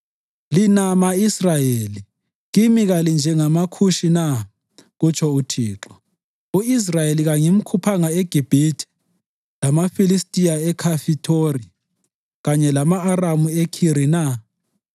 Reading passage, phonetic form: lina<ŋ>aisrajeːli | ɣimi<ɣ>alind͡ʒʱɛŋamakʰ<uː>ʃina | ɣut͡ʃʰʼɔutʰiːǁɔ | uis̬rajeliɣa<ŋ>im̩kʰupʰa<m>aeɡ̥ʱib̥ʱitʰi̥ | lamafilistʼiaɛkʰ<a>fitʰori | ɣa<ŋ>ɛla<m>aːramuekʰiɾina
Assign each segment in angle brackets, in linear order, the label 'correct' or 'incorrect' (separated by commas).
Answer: incorrect, correct, incorrect, correct, incorrect, correct, incorrect, correct